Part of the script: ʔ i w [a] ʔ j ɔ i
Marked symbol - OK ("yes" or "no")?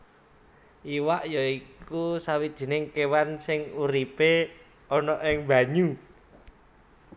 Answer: yes